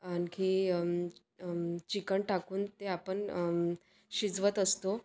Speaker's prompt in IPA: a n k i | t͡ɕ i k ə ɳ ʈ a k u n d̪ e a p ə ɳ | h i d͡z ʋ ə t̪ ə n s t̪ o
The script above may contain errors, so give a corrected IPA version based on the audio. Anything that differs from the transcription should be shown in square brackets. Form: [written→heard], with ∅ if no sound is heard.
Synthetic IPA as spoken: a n k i | t͡ɕ i k ə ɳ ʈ a k [u→uː] n [d̪→t̪] e a p ə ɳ | [h→ɕ] i d͡z ʋ ə t̪ ə [n→∅] s t̪ o